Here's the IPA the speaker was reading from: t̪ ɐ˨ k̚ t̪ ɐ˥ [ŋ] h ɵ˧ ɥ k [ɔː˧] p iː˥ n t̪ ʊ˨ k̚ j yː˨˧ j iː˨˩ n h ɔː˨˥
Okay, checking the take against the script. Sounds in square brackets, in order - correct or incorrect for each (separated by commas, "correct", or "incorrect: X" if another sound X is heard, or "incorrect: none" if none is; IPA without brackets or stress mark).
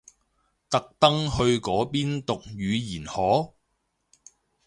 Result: correct, incorrect: ɔː˨˥